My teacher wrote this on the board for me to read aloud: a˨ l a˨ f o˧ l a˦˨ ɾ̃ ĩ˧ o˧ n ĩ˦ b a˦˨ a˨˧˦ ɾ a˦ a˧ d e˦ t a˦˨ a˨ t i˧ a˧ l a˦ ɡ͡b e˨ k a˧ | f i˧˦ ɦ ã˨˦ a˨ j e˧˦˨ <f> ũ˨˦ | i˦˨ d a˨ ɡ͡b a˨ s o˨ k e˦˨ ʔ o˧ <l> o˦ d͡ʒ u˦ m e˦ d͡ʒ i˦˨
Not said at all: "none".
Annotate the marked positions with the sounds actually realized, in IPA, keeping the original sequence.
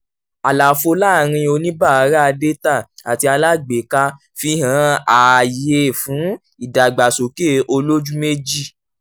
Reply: f, l

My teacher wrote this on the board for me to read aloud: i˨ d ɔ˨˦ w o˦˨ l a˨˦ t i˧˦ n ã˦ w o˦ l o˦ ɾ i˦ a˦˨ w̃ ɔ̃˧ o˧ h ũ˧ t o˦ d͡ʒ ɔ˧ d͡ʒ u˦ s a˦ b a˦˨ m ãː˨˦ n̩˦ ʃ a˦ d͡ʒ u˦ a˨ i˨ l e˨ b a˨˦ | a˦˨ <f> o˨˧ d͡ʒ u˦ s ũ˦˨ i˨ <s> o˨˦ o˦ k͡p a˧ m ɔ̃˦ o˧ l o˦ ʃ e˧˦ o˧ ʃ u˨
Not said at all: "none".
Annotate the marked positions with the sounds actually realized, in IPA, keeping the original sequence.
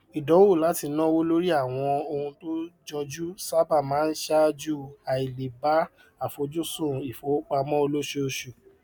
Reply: f, f

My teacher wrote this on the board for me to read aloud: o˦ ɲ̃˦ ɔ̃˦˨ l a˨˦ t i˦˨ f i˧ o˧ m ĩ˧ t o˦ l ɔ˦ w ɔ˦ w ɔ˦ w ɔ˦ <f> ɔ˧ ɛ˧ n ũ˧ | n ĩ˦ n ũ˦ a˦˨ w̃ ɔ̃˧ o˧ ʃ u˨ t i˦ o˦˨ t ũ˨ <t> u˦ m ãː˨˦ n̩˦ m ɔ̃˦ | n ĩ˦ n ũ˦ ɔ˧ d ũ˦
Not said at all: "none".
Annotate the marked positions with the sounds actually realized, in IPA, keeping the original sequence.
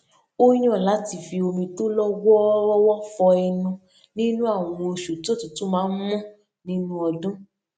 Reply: f, t

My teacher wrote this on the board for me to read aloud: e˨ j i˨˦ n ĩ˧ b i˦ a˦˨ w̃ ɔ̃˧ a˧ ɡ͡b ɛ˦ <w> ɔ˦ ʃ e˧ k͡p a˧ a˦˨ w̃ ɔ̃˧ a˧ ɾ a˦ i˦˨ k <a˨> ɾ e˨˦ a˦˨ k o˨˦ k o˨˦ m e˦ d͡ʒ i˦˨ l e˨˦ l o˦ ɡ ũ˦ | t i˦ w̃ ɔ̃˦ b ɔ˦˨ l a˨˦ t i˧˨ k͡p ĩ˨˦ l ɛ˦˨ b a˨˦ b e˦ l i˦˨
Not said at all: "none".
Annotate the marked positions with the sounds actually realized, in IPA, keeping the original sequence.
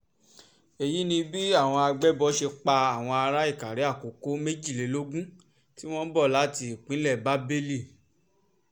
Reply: b, a˨

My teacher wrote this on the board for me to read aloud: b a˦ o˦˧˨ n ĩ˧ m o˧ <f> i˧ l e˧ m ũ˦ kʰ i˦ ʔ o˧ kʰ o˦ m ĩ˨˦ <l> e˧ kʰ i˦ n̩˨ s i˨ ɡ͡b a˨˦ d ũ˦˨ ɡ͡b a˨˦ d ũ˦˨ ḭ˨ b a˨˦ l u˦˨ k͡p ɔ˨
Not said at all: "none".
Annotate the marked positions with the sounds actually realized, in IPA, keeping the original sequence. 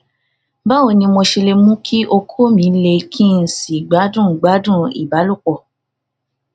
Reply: ʃ, l

